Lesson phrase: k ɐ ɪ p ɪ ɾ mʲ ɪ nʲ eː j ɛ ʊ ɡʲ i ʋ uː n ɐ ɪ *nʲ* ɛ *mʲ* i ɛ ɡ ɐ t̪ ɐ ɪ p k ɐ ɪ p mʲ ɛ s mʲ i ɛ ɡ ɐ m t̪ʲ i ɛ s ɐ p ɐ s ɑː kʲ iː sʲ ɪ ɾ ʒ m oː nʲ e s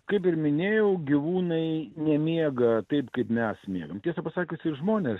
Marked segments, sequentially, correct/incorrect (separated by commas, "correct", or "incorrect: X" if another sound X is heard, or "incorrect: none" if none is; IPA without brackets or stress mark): correct, correct